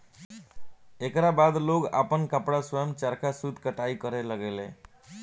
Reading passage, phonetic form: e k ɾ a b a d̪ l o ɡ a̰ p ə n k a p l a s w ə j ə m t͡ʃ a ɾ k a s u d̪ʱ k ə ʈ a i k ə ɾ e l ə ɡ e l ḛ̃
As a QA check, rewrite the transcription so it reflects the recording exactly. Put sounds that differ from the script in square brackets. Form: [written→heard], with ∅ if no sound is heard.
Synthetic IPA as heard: e k ɾ a b a d̪ l o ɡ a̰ p ə n k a p [l→ɽ] a s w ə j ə m t͡ʃ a ɾ k a s u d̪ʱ k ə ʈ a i k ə ɾ e l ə ɡ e l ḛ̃